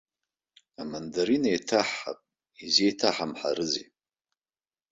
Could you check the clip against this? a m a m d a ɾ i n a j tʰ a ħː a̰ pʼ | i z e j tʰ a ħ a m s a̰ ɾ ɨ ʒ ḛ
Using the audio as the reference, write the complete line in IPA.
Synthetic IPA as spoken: a m a n d a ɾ i n a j tʰ a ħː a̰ pʼ | i z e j tʰ a ħ a m ħ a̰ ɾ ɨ z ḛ